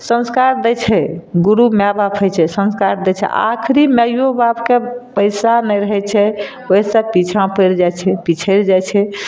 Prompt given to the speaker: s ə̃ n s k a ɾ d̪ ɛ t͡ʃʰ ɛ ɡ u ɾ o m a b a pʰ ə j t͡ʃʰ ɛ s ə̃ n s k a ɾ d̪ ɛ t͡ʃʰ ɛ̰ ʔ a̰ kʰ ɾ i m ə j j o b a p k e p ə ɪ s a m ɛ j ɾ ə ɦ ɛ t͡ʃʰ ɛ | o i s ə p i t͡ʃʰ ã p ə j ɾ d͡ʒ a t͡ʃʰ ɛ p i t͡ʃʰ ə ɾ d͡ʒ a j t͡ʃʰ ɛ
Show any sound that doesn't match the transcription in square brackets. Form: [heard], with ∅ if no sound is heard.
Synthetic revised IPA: s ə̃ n s k a ɾ d̪ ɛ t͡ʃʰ ɛ ɡ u ɾ [u] m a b a pʰ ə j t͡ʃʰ ɛ s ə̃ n s k a ɾ d̪ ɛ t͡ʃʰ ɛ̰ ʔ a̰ kʰ ɾ i m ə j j o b a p k e p ə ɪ s a [n] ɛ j ɾ ə ɦ ɛ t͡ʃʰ ɛ | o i s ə p i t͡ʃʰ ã p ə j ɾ d͡ʒ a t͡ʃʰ ɛ p i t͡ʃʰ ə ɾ d͡ʒ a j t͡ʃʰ ɛ